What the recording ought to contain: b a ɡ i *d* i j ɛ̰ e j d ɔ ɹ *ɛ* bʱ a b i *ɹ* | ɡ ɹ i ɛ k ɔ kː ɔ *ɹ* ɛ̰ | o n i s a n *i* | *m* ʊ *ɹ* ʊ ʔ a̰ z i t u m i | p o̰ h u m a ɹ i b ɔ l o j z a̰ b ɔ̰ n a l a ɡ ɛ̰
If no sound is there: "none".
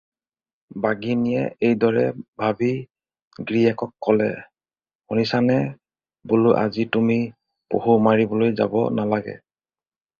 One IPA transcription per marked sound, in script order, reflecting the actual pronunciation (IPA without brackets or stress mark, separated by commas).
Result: n, ɛ, none, l, ɛ, b, l